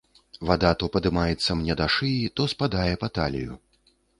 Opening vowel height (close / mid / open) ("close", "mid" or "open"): open